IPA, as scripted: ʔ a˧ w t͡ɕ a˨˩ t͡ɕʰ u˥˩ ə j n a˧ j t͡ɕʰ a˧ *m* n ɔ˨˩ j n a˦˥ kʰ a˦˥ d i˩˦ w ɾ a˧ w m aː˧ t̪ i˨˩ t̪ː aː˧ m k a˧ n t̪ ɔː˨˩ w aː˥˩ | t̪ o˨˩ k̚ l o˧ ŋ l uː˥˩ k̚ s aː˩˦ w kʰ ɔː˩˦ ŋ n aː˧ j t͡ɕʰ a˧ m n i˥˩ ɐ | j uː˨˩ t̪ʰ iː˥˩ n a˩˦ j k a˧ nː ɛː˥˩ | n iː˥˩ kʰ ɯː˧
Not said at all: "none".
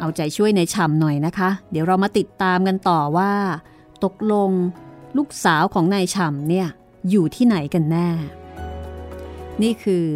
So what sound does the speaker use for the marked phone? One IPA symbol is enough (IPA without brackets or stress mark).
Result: m